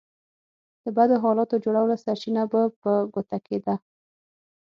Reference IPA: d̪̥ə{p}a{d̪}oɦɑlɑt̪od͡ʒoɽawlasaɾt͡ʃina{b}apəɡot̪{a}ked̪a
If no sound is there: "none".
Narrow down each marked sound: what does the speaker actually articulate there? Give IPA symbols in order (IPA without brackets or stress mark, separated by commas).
b, d̪, b, a